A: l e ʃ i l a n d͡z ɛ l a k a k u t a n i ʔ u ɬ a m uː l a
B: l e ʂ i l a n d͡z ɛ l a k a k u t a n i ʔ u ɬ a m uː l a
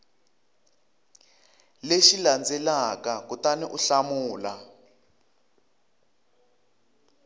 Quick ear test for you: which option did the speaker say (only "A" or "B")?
A